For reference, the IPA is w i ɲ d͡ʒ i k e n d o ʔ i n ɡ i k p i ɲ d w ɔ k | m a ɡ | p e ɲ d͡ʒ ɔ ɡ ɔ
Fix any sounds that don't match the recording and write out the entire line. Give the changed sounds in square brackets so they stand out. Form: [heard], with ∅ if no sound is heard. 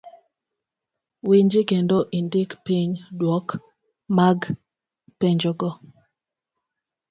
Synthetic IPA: w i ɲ d͡ʒ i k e n d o ʔ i n [d] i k p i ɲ d w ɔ k | m a ɡ | p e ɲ d͡ʒ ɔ ɡ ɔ